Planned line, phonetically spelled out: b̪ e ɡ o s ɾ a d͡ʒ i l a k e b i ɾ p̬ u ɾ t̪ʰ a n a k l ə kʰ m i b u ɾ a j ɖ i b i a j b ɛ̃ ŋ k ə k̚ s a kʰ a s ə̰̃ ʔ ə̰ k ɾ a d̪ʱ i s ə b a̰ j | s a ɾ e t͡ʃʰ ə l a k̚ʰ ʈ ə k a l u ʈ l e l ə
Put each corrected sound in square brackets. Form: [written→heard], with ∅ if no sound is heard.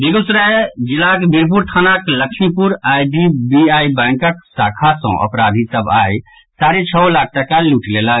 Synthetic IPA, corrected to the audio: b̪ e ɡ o s ɾ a d͡ʒ i l a k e b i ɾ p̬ u ɾ t̪ʰ a n a k l ə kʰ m i [b→p] u ɾ a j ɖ i b i a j b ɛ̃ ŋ k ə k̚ s a kʰ a s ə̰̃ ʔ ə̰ [k→p] ɾ a d̪ʱ i s ə b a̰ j | s a ɾ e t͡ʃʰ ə l a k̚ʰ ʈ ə k a l u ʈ l e l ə